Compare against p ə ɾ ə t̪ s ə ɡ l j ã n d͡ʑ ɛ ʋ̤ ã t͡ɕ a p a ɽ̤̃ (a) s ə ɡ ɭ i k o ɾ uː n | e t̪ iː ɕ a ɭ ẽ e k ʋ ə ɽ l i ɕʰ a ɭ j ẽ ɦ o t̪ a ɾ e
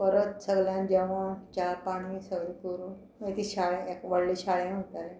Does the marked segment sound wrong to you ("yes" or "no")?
yes